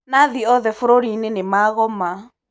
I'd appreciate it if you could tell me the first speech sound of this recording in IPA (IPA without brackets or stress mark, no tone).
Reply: n